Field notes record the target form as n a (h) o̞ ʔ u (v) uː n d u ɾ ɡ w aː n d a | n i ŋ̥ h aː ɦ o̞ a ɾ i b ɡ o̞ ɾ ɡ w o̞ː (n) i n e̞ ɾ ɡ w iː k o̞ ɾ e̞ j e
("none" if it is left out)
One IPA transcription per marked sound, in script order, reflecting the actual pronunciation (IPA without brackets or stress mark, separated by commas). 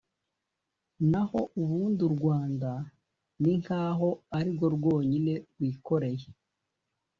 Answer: h, β, ɲ